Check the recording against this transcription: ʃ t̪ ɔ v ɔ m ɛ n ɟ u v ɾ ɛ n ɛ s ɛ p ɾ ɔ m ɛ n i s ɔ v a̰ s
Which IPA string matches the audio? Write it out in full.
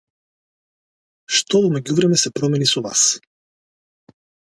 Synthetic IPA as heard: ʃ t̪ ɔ v ɔ m ɛ ɟ u v ɾ ɛ m ɛ s ɛ p ɾ ɔ m ɛ n i s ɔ v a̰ s

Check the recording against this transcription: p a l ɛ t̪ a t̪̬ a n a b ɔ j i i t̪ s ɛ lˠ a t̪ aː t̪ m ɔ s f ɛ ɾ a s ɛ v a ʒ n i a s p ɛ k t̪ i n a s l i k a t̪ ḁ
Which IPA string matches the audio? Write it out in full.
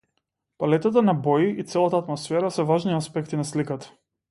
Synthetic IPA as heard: p a l ɛ t̪ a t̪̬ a n a b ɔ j i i t̪ s ɛ lˠ a t̪ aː t̪ m ɔ s f ɛ ɾ a s ɛ v a ʒ n i a s p ɛ k t̪ i n a s l i k a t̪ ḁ

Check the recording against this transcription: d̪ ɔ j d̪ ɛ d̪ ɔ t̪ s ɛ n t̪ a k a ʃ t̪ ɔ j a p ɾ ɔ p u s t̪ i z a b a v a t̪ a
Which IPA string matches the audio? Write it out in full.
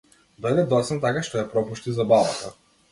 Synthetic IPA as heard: d̪ ɔ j d̪ ɛ d̪ ɔ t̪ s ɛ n t̪ a k a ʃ t̪ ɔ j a p ɾ ɔ p u ʃ t̪ i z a b a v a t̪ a

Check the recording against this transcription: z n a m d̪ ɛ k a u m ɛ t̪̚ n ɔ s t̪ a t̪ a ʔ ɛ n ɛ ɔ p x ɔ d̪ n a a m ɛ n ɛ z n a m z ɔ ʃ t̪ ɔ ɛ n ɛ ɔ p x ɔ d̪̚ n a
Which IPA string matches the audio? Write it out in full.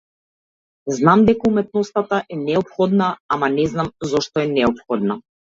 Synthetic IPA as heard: z n a m d̪ ɛ k a u m ɛ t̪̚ n ɔ s t̪ a t̪ a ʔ ɛ n ɛ ɔ p x ɔ d̪ n a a m a n ɛ z n a m z ɔ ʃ t̪ ɔ ɛ n ɛ ɔ p x ɔ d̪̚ n a

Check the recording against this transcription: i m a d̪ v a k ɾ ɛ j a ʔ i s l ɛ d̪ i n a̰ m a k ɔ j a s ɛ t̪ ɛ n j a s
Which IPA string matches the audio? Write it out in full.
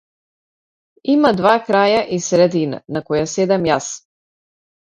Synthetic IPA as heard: i m a d̪ v a k ɾ a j a ʔ i s ɾ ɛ d̪ i n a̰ n a k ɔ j a s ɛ d̪ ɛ m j a s

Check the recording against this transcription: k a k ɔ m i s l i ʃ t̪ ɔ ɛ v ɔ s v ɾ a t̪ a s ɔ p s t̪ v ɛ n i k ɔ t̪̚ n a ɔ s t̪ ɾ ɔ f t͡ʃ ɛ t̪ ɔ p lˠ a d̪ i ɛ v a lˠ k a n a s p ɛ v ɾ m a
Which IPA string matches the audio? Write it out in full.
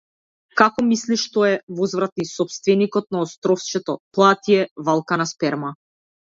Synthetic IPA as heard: k a k ɔ m i s l i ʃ t̪ ɔ ɛ v ɔ z v ɾ a t̪ i s ɔ p s t̪ v ɛ n i k ɔ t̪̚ n a ɔ s t̪ ɾ ɔ f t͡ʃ ɛ t̪ ɔ p lˠ a t̪ i ɛ v a lˠ k a n a s p ɛ ɾ m a

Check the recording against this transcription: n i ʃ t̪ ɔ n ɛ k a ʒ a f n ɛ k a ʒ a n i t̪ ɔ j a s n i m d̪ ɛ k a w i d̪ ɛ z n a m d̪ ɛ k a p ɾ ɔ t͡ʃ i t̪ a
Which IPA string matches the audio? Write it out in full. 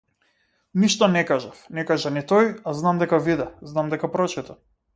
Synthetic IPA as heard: n i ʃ t̪ ɔ n ɛ k a ʒ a f n ɛ k a ʒ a n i t̪ ɔ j a z n a m d̪ ɛ k a v i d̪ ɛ z n a m d̪ ɛ k a p ɾ ɔ t͡ʃ i t̪ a

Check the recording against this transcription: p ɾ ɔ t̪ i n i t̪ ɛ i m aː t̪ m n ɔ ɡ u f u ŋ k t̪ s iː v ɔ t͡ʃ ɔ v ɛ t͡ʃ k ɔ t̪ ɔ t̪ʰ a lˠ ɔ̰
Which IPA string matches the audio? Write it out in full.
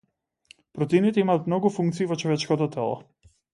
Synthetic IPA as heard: p ɾ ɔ t̪ i n i t̪ ɛ i m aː t̪ m n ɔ ɡ u f u ŋ k t̪ s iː v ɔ t͡ʃ ɔ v ɛ t͡ʃ k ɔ t̪ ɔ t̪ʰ ɛ lˠ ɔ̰

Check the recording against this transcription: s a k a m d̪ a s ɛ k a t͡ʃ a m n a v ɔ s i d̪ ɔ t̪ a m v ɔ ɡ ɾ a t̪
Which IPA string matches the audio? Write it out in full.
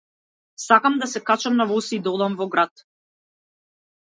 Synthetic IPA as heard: s a k a m d̪ a s ɛ k a t͡ʃ a m n a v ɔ s i d̪ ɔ d̪ a m v ɔ ɡ ɾ a t̪

